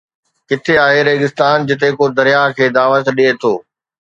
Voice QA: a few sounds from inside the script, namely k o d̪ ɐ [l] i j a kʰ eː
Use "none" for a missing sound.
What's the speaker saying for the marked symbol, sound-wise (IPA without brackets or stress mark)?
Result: ɾ